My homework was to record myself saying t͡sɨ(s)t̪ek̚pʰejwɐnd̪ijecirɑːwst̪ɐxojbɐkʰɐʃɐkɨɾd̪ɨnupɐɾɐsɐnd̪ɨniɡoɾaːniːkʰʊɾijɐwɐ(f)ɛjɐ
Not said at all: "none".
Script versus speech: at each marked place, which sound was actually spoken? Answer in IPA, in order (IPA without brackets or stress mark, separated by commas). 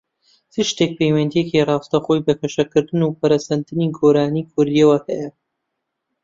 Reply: ʃ, h